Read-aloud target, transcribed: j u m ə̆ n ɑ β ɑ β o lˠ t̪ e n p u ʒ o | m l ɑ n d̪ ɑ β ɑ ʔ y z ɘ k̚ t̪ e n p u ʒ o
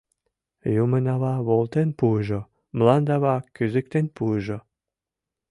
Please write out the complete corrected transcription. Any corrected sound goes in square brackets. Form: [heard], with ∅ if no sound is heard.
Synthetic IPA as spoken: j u m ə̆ n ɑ β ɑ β o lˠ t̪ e n p u ʒ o | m l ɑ n d̪ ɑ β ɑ [k] y z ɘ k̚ t̪ e n p u ʒ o

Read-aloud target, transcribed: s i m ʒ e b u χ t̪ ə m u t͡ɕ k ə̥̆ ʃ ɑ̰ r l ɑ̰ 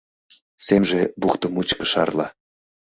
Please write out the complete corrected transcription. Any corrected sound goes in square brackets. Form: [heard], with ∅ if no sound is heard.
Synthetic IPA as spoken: s [e] m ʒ e b u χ t̪ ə m u t͡ɕ k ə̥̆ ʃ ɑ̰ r l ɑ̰

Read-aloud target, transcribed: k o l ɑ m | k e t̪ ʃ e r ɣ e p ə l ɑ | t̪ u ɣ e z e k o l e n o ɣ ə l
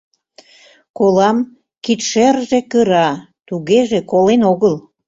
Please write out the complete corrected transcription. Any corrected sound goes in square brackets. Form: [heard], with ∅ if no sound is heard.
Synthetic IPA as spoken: k o l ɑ m | k [i] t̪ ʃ e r [ʒ] e [k] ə [ɾ] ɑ | t̪ u ɣ e [ʒ] e k o l e n o ɣ ə l

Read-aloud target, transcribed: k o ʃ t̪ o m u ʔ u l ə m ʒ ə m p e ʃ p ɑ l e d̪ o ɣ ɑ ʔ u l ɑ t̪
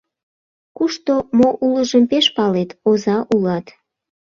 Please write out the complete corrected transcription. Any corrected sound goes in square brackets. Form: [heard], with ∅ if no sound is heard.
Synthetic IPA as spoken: k [u] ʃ t̪ o m [o] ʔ u l ə [∅] ʒ ə m p e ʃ p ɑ l e [t̪] o [z] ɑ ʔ u l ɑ t̪

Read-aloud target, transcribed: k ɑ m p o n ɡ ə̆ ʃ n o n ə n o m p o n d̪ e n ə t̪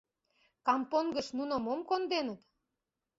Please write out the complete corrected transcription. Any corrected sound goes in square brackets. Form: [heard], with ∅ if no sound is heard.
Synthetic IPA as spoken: k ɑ m p o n ɡ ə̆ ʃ n [u] n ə [m] o m [k] o n d̪ e n ə t̪

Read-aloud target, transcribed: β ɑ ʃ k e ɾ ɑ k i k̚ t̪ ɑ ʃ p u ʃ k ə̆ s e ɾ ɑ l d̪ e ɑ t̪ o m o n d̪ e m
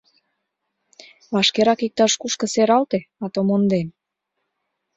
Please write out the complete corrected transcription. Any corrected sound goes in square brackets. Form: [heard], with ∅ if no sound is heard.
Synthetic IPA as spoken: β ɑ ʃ k e ɾ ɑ k i k̚ t̪ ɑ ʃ [k] u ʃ k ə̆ s e ɾ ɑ l [t̪] e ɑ t̪ o m o n d̪ e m

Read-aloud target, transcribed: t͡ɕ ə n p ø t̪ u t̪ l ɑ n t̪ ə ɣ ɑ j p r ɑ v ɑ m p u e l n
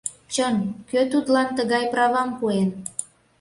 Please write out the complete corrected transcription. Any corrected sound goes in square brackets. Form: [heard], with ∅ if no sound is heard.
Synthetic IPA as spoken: t͡ɕ ə n [k] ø t̪ u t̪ l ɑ n t̪ ə ɣ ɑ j p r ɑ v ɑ m p u e [∅] n

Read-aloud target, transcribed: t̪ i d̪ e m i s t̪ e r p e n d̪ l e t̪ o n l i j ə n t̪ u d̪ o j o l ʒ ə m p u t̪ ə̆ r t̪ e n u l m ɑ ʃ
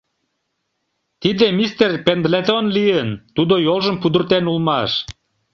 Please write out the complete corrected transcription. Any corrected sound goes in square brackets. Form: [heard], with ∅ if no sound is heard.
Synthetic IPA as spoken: t̪ i d̪ e m i s t̪ e r p e n d̪ l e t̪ o n l i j ə n t̪ u d̪ o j o l ʒ ə m p u [d̪] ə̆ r t̪ e n u l m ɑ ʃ

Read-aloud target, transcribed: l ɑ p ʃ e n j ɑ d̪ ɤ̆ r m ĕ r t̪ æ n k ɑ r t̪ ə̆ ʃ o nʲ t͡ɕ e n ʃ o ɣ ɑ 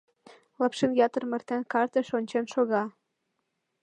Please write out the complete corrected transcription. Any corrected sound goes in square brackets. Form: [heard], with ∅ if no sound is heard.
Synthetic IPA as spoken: l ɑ p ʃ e n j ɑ [t̪] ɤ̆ r m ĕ r t̪ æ n k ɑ r t̪ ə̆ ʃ o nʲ t͡ɕ e n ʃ o ɣ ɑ

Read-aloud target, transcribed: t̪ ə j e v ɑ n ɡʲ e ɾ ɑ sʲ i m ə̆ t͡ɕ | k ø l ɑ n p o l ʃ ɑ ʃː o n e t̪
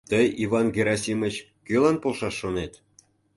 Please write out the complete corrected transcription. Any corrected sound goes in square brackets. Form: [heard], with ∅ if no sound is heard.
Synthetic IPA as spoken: t̪ ə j [i] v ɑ n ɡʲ e ɾ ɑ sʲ i m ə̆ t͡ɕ | k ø l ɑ n p o l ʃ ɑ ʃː o n e t̪

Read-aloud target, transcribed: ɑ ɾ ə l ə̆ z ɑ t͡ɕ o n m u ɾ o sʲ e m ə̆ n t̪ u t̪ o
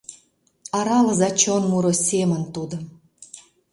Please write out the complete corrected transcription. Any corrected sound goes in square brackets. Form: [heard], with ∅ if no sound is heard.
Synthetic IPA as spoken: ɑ ɾ [ɑ] l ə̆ z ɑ t͡ɕ o n m u ɾ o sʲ e m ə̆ n t̪ u [d̪] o

